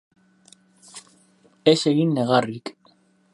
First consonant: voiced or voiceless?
voiceless